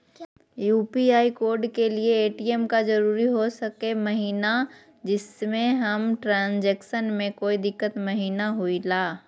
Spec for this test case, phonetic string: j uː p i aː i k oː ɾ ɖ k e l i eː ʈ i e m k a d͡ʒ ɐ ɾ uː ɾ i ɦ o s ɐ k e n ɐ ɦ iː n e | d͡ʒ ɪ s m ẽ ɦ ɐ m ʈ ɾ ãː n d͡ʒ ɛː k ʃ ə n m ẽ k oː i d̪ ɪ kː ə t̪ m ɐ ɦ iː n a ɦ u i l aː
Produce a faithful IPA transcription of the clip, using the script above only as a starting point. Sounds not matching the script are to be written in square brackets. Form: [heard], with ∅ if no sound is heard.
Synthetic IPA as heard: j uː p i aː i k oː ɾ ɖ k e l i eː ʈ i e m k a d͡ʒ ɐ ɾ uː ɾ i ɦ o s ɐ k e [m] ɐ ɦ iː n [a] | d͡ʒ ɪ s m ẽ ɦ ɐ m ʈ ɾ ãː n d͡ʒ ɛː k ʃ ə n m ẽ k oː i d̪ ɪ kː ə t̪ m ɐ ɦ iː n a ɦ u i l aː